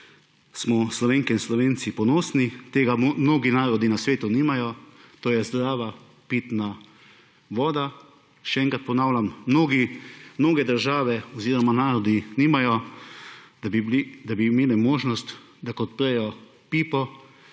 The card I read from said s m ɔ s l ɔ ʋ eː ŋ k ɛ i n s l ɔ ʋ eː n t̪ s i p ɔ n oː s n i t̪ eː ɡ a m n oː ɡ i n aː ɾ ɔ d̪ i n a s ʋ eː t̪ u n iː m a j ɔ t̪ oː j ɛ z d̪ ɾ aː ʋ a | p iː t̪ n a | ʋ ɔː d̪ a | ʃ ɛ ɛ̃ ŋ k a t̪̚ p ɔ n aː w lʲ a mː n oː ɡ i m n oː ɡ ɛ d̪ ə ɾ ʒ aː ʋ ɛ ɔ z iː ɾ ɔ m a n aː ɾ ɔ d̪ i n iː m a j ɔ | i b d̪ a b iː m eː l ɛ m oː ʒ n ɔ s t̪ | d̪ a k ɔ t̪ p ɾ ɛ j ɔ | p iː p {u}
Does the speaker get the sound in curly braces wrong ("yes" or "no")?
yes